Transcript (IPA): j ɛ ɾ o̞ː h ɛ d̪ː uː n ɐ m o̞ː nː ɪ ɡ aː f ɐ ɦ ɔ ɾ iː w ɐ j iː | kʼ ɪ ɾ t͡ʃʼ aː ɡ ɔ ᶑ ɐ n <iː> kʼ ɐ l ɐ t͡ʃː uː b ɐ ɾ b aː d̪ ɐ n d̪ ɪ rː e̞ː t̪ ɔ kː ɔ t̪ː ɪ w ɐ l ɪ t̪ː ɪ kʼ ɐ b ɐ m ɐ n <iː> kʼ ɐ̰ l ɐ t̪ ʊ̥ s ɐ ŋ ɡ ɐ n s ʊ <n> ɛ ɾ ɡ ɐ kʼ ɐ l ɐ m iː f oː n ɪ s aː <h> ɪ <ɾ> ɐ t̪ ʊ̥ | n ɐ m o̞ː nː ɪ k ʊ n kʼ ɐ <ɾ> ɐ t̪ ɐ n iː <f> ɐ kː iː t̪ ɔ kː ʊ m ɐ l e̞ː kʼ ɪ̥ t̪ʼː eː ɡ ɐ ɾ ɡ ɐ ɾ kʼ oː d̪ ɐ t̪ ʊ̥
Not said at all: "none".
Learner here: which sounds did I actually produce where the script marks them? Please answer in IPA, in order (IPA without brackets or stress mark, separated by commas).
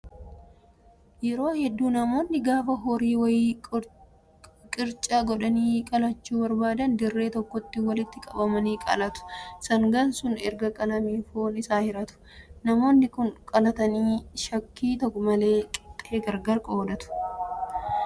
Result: iː, iː, n, h, ɾ, l, ʃ